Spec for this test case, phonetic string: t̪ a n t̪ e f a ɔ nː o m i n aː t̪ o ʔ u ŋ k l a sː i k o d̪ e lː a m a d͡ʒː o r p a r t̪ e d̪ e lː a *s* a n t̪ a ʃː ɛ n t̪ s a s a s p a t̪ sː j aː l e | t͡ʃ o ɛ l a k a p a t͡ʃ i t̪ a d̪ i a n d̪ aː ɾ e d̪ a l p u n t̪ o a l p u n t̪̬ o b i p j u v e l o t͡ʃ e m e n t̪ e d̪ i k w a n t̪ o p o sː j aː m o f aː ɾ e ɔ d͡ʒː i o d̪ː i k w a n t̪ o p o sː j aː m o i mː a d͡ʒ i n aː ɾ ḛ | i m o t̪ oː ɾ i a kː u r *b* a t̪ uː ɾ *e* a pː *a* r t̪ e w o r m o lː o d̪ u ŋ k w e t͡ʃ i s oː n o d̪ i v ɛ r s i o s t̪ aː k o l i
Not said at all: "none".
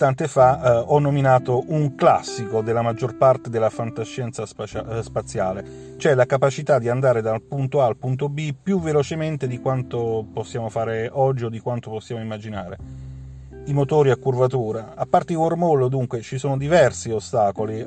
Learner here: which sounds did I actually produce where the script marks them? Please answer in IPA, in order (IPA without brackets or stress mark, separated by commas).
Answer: f, v, a, a